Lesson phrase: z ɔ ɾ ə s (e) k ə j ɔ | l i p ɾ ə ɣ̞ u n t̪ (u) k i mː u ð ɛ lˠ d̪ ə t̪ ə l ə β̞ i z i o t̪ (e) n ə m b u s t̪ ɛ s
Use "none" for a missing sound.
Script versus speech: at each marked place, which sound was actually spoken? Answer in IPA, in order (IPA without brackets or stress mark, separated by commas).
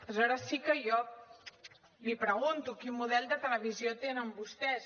i, u, e